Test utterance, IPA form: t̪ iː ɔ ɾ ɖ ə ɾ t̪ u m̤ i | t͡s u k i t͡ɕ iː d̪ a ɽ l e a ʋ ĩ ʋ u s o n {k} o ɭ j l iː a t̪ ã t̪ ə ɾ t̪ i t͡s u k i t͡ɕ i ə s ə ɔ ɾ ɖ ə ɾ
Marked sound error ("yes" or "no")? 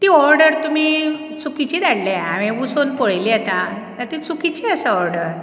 yes